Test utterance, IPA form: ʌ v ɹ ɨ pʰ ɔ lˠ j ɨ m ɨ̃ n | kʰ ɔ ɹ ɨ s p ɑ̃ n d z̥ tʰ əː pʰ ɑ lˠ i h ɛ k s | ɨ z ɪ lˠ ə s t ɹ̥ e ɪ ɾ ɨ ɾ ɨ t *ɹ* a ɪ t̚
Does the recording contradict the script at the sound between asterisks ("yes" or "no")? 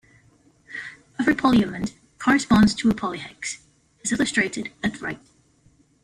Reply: no